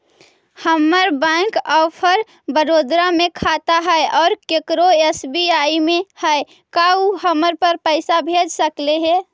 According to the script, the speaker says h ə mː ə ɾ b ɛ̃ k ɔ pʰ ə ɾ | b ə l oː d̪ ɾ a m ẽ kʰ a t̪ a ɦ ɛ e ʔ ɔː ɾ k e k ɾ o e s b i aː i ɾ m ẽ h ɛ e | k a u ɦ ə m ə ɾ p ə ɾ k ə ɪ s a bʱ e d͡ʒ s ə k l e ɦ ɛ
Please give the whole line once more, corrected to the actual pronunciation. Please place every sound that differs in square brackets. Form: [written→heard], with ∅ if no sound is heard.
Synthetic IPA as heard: h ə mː ə ɾ b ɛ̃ k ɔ pʰ ə ɾ | b ə [l→ɾ] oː d̪ ɾ a m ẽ kʰ a t̪ a ɦ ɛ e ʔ ɔː ɾ k e k ɾ o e s b i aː i [ɾ→∅] m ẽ h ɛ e | k a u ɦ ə m ə ɾ p ə ɾ [k→p] ə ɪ s a bʱ e d͡ʒ s ə k l e ɦ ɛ